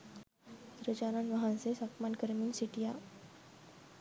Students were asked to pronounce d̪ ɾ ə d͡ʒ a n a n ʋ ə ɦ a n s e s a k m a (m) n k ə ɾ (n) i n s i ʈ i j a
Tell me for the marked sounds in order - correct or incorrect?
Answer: incorrect, incorrect

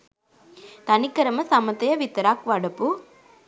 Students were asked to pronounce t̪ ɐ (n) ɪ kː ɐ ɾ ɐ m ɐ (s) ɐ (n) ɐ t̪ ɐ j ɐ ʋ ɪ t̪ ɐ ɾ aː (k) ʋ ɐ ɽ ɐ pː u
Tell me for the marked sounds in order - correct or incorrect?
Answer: correct, correct, incorrect, correct

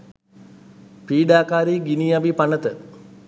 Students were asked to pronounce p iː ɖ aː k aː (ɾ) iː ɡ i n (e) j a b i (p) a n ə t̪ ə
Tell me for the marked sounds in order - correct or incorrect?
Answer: correct, incorrect, correct

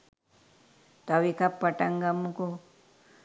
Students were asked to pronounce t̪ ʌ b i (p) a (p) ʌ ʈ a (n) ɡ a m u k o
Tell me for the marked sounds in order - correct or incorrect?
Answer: incorrect, correct, incorrect

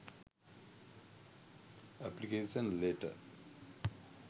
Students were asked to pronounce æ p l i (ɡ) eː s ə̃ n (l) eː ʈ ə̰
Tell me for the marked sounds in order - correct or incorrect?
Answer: incorrect, correct

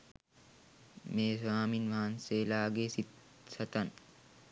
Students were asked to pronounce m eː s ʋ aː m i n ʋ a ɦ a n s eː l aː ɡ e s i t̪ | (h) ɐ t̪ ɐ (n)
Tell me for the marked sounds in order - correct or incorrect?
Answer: incorrect, correct

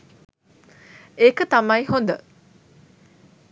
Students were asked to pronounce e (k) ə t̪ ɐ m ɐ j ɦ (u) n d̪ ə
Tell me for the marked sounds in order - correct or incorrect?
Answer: correct, incorrect

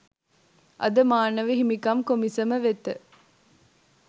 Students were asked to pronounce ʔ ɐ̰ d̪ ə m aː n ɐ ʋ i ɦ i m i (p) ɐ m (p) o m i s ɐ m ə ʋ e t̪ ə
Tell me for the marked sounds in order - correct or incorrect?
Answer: incorrect, incorrect

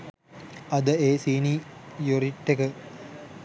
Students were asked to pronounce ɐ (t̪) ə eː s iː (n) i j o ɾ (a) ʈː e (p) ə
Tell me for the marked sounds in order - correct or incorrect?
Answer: incorrect, correct, incorrect, incorrect

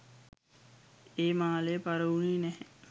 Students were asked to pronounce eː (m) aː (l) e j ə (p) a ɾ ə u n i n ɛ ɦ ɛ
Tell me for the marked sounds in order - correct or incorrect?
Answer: correct, correct, correct

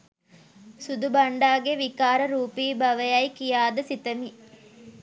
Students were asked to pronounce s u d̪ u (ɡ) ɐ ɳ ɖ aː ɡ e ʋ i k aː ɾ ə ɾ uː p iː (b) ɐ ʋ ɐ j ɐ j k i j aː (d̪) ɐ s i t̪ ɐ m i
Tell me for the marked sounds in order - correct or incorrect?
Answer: incorrect, correct, correct

